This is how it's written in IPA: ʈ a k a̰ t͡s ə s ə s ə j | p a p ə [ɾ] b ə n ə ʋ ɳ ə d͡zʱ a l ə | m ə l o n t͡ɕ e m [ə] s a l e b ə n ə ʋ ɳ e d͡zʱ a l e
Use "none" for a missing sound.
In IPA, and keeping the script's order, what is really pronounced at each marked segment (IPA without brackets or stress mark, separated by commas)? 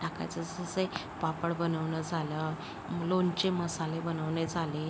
ɽ, ə